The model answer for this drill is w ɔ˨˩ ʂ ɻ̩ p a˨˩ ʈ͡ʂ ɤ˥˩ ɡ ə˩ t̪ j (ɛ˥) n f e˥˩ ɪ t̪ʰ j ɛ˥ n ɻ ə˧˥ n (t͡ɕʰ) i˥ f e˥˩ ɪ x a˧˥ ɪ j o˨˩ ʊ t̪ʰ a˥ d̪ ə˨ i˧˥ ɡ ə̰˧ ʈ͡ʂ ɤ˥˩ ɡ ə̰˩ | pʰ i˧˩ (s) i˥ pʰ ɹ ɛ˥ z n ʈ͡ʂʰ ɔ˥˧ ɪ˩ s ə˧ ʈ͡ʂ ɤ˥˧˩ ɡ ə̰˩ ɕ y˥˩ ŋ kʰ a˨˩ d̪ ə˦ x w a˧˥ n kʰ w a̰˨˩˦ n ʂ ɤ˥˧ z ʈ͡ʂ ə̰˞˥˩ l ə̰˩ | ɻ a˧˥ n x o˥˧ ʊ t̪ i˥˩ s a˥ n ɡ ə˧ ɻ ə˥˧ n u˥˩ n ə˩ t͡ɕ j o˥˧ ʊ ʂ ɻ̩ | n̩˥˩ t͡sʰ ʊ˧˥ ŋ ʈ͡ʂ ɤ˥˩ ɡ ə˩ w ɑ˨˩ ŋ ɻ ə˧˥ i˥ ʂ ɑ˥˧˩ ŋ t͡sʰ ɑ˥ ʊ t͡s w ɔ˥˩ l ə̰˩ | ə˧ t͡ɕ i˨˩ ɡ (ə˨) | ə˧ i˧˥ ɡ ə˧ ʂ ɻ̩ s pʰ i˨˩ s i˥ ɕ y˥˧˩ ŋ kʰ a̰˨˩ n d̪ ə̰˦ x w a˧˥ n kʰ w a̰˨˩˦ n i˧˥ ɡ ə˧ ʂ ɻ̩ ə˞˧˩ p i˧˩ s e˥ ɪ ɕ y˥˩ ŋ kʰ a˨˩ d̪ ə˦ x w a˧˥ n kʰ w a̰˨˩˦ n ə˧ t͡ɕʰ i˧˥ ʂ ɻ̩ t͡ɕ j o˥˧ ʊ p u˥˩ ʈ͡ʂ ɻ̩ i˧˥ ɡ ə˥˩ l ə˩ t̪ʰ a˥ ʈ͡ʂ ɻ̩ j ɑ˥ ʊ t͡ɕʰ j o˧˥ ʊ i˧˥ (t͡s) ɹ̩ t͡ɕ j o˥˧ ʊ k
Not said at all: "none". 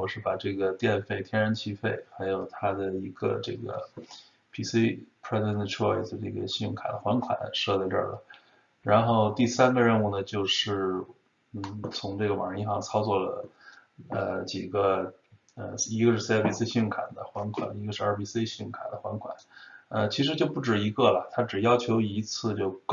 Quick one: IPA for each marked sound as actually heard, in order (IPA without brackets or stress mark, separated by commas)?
ɛ˥˧, t͡ɕʰ, s, ə˦, t͡sʰ